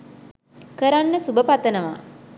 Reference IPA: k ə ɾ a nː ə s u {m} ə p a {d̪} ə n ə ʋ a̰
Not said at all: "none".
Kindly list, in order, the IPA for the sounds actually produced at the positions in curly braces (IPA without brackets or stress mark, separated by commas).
b, t̪